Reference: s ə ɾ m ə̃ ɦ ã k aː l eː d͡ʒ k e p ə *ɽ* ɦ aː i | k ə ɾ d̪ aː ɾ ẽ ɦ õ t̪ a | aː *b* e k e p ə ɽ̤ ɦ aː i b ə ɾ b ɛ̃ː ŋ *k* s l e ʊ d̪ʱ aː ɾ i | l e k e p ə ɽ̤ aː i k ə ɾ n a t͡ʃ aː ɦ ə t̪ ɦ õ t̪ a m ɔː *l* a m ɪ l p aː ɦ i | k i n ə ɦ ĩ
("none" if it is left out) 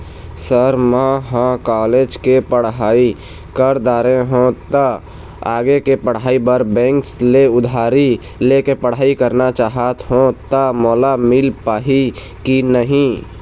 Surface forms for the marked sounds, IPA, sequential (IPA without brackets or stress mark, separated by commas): ɽ, ɡ, k, l